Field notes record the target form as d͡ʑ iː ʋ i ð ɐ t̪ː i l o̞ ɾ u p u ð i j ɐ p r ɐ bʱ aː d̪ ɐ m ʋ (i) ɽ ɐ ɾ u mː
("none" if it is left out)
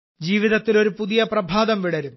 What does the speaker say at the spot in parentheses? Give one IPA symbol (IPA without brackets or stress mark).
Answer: i